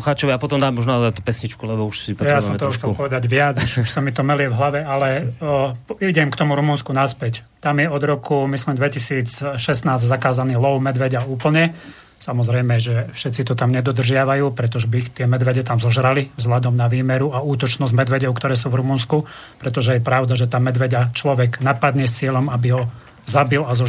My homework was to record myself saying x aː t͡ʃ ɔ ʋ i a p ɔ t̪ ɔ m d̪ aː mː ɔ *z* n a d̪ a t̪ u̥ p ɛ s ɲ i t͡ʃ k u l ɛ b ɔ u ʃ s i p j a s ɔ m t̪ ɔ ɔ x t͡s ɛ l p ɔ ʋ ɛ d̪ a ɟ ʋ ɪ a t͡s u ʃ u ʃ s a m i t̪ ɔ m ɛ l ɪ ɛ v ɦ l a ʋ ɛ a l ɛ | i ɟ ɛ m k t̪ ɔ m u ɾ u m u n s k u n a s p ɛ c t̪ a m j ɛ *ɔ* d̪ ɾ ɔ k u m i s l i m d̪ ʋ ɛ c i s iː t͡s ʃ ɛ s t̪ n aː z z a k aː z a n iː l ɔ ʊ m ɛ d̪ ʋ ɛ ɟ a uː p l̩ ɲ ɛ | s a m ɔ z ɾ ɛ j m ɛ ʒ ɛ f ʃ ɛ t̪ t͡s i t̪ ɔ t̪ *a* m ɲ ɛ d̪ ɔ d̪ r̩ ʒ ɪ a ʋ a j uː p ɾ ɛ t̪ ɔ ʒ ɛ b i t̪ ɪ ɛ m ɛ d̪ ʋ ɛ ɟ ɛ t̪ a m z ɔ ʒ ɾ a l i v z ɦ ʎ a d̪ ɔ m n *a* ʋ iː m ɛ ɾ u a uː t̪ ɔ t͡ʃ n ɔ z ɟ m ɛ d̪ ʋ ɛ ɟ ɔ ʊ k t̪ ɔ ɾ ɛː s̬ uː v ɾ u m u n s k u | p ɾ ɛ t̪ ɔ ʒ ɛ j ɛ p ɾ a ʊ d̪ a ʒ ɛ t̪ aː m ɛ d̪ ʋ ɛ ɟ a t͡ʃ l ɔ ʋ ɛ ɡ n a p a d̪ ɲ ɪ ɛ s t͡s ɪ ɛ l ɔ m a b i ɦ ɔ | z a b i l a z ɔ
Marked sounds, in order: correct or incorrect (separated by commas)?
incorrect, correct, correct, correct